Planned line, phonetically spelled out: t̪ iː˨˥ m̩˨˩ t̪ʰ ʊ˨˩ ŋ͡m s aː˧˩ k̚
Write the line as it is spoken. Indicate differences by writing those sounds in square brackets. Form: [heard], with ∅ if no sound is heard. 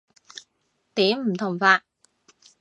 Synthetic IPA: t̪ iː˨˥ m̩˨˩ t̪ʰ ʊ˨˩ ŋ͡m [f] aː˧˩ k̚

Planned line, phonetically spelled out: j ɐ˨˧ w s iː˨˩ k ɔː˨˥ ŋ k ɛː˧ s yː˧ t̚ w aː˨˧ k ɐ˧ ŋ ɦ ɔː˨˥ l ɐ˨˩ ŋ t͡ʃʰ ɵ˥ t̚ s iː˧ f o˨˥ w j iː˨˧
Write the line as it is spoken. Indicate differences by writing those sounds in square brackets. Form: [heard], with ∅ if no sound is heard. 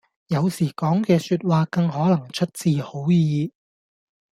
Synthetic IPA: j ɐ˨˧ w s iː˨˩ k ɔː˨˥ ŋ k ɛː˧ s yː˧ t̚ w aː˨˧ k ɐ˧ ŋ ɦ ɔː˨˥ l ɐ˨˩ ŋ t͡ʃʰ ɵ˥ t̚ [t͡s] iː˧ [h] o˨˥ w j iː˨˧

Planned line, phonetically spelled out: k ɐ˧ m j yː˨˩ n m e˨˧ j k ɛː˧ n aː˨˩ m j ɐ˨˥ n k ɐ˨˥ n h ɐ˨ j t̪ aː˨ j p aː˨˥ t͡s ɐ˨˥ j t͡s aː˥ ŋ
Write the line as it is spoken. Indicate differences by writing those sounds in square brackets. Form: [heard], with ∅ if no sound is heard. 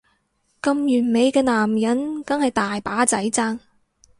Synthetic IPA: k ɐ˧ m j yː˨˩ n m e˨˧ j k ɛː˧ n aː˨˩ m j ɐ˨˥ n k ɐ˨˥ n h ɐ˨ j t̪ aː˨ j p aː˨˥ t͡s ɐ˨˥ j t͡s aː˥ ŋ

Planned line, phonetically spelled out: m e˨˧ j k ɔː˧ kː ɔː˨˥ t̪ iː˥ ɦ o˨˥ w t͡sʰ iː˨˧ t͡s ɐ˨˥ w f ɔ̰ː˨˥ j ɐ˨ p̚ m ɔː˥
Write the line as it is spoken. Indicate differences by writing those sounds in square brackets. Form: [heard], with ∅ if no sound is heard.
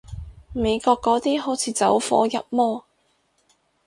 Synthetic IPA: m e˨˧ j k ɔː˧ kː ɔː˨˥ t̪ iː˥ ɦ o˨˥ w t͡sʰ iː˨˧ t͡s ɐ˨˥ w f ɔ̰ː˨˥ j ɐ˨ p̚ m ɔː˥

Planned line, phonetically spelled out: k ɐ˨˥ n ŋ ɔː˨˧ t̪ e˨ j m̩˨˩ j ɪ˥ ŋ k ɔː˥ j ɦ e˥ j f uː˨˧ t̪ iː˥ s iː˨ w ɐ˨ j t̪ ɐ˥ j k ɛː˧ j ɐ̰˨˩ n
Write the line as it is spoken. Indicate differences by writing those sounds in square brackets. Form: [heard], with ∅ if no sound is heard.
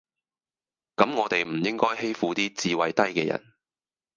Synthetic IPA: k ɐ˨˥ [m] ŋ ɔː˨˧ t̪ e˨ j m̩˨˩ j ɪ˥ ŋ k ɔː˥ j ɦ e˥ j f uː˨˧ t̪ iː˥ [t͡s] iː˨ w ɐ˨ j t̪ ɐ˥ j k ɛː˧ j ɐ̰˨˩ n

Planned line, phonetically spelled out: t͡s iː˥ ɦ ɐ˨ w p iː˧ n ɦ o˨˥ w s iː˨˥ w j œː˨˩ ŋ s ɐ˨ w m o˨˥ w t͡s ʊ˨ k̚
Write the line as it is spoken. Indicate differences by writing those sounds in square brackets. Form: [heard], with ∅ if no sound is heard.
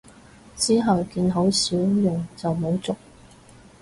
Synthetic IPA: t͡s iː˥ ɦ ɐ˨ w [k] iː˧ n ɦ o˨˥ w s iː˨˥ w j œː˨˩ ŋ [t͡s] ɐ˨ w m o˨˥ w t͡s ʊ˨ k̚

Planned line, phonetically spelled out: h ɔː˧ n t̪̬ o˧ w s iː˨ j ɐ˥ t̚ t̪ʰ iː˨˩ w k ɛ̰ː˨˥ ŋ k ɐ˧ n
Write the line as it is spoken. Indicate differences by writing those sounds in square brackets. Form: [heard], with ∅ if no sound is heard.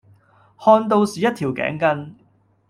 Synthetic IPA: h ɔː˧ n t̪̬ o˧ w s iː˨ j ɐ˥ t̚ t̪ʰ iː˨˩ w k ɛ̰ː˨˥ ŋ k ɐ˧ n

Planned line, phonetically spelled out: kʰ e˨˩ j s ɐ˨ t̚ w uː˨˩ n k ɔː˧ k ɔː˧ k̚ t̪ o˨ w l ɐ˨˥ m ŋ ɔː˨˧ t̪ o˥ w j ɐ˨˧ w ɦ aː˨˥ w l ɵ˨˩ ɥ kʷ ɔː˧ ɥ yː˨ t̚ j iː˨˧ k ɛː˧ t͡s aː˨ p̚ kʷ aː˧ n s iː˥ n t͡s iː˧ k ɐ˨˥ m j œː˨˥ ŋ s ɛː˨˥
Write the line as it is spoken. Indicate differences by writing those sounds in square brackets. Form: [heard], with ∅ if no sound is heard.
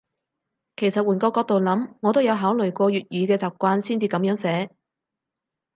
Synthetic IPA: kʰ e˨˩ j s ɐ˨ t̚ w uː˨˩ n k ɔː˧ k ɔː˧ k̚ t̪ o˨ w l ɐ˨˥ m ŋ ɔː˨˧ t̪ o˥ w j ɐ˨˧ w ɦ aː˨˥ w l ɵ˨˩ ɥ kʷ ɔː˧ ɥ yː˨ t̚ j [yː˨˧] k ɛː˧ t͡s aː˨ p̚ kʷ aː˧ n s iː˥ n t͡s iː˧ k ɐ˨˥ m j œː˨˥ ŋ s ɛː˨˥

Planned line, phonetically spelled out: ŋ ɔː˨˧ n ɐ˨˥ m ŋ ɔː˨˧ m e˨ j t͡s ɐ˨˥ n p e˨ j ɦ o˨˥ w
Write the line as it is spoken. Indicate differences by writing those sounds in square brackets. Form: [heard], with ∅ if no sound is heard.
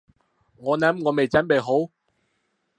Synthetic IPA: ŋ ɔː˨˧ n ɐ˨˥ m ŋ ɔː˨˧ m e˨ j t͡s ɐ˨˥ n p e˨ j ɦ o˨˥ w

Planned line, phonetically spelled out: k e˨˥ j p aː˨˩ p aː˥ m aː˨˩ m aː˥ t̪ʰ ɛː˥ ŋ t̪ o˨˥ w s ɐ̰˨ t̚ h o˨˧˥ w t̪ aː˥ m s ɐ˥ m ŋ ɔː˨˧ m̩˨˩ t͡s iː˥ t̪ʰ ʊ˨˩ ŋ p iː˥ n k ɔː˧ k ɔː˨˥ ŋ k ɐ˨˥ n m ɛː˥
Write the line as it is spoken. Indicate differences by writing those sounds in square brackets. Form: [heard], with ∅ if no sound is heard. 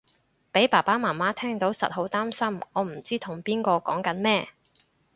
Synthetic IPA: [p] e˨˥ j p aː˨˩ p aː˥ m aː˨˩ m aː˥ t̪ʰ ɛː˥ ŋ t̪ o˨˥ w s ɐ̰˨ t̚ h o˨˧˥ w t̪ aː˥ m s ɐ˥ m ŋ ɔː˨˧ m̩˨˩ t͡s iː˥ t̪ʰ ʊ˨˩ ŋ p iː˥ n k ɔː˧ k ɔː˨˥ ŋ k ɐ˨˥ n m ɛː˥

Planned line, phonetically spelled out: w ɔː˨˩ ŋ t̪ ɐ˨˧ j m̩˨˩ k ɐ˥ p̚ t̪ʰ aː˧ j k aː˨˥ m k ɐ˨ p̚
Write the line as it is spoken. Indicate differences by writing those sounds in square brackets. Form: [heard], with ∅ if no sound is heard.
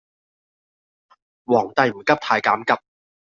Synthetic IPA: w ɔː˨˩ ŋ t̪ ɐ˨˧ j m̩˨˩ k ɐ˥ p̚ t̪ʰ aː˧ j k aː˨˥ m k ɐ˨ p̚

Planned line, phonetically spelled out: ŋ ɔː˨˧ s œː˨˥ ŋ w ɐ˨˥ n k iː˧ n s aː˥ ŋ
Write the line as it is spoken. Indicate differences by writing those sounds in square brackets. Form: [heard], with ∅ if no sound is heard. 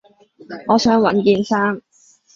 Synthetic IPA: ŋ ɔː˨˧ s œː˨˥ ŋ w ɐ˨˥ n k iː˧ n s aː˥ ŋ

